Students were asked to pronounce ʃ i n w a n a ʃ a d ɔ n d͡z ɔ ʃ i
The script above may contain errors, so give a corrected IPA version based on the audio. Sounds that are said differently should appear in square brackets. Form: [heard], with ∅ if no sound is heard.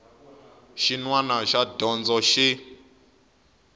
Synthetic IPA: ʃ i n w a n a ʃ a d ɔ n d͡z ɔ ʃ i